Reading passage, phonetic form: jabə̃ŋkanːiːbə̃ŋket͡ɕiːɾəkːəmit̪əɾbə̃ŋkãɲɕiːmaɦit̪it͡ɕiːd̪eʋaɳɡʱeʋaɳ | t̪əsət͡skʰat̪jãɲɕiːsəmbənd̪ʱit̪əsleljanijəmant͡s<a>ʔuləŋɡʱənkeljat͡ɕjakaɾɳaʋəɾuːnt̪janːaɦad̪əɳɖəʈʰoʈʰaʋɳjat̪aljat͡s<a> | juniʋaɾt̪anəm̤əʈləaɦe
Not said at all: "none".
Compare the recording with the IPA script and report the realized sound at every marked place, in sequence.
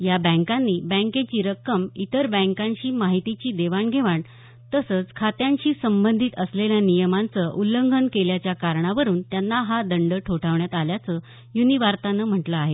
ə, ə

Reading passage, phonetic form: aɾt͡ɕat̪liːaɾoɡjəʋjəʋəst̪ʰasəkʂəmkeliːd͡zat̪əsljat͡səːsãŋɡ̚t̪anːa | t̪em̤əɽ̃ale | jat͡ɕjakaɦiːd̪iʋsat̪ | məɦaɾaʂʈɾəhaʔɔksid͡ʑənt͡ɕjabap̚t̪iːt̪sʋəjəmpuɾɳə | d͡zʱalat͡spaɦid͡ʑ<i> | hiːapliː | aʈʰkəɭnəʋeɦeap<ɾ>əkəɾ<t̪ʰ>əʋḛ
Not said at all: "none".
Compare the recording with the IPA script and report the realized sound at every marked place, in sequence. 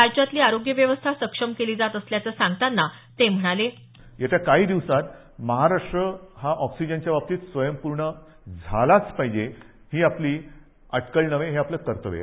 e, l, t̪

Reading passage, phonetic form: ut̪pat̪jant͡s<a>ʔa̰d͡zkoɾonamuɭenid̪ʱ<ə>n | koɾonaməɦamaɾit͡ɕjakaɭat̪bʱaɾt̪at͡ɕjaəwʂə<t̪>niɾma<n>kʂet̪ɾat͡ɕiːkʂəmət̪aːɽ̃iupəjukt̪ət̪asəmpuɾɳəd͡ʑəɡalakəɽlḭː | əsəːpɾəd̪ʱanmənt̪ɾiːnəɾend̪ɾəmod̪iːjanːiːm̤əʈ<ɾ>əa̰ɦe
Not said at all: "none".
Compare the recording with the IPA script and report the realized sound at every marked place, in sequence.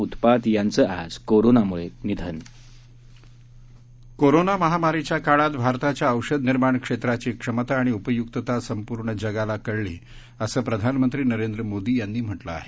ə, ə, d̪, ɳ, l

